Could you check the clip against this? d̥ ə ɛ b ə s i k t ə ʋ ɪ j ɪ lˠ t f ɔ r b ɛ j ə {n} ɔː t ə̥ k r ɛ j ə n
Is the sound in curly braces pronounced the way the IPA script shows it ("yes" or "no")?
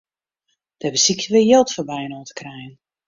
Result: yes